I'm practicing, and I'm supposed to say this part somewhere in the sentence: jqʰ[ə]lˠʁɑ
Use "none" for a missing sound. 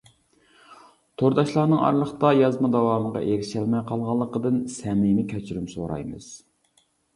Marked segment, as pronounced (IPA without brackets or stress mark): ɑ